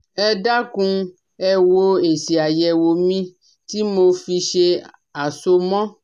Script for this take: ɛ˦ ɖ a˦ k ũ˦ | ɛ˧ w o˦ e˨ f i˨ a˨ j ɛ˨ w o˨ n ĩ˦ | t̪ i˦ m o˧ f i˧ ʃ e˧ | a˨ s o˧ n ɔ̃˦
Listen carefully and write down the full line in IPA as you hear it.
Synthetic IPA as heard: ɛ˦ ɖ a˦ k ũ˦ | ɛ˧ w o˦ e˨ s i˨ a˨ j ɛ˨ w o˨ m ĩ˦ | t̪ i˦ m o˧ f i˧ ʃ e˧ | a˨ s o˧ m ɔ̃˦